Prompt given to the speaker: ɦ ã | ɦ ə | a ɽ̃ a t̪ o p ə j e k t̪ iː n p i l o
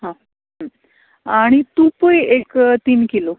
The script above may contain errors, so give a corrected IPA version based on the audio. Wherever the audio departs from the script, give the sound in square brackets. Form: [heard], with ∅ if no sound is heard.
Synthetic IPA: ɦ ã | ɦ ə | a ɽ̃ [i] t̪ [u] p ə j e k t̪ iː n [k] i l o

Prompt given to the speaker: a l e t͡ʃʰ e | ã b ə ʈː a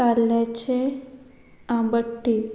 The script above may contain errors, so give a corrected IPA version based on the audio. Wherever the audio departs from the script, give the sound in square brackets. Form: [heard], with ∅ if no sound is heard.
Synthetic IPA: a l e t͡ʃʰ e | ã b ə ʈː [i]

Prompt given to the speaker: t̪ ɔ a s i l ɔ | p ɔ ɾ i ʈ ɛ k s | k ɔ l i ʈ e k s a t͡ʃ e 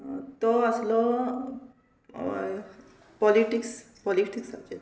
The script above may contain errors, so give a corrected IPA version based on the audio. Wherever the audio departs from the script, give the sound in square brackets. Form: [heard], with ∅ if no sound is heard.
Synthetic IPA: t̪ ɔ a s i l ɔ | p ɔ [l] i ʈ [i] k s | [p] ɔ l i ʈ [i] k s a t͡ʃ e

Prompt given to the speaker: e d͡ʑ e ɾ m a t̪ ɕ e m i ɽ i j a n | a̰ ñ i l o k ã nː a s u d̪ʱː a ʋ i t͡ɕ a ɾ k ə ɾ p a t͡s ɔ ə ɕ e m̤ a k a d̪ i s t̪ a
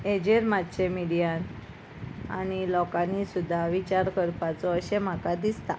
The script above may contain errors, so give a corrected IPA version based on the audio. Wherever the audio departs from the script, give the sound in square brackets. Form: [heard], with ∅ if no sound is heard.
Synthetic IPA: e d͡ʑ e ɾ m a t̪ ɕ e m i ɽ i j a n | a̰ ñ i l [ɔ] k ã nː [i] s u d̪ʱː a ʋ i t͡ɕ a ɾ k ə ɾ p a t͡s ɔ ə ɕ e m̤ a k a d̪ i s t̪ a

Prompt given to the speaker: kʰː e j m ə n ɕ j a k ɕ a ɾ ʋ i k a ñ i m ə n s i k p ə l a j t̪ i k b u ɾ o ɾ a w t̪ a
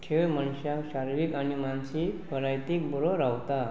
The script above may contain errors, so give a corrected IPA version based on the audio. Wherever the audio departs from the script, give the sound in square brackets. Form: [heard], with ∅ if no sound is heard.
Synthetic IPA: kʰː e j m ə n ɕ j a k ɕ a ɾ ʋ i k a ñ i m [a] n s i k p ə [ɾ] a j t̪ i k b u ɾ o ɾ a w t̪ a

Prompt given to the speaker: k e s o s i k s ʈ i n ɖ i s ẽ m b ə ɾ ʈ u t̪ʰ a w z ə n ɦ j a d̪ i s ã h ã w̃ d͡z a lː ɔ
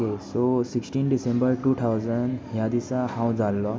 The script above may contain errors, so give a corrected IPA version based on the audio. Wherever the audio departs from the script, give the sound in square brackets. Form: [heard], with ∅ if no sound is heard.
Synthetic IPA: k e s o s i k s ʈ i n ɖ i s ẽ m b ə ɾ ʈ u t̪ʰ a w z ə n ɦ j a d̪ i s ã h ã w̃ d͡z a lː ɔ

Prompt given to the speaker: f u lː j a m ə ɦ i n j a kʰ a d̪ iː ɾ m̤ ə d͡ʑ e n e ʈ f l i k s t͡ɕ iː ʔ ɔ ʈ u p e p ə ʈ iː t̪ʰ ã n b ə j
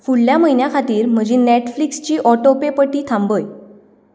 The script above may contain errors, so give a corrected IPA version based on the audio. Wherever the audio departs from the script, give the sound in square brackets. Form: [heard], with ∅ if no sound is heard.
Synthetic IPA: f u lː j a m ə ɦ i n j a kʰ a [t̪] iː ɾ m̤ ə d͡ʑ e n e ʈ f l i k s t͡ɕ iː ʔ ɔ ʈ [o] p e p ə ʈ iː t̪ʰ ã [m] b ə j

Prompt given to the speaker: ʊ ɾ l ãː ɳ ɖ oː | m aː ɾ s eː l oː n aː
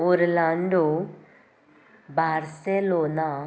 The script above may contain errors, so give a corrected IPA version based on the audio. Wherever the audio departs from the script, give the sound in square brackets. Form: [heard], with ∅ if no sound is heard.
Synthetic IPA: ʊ ɾ l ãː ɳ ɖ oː | [b] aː ɾ s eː l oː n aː

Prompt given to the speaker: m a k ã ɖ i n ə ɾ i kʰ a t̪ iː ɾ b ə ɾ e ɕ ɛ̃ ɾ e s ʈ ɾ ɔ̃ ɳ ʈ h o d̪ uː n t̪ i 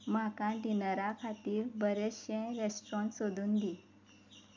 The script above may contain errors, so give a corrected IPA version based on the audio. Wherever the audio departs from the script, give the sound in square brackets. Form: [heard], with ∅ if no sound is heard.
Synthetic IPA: m a k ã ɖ i n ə ɾ [a] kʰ a t̪ iː ɾ b ə ɾ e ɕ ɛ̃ ɾ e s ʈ ɾ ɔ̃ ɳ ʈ [s] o d̪ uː n [d̪] i

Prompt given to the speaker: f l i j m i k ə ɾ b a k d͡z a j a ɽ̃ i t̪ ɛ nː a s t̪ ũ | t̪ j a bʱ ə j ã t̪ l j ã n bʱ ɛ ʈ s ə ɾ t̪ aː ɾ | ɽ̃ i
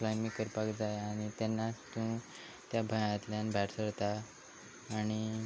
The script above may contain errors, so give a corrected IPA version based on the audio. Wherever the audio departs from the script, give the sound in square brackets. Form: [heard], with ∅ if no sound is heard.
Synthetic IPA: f l [a] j m i k ə ɾ [p] a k d͡z a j a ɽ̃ i t̪ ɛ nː a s t̪ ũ | t̪ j a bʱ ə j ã t̪ l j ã n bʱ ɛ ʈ s ə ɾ t̪ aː [∅] | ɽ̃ i

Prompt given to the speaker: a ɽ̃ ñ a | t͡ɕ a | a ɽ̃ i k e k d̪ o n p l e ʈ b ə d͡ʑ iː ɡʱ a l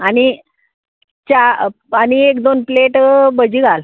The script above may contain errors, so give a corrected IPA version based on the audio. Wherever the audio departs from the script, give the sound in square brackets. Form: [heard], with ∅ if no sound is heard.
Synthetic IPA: a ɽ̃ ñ [i] | t͡ɕ a | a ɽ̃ i [∅] e k d̪ o n p l e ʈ b ə d͡ʑ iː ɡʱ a l

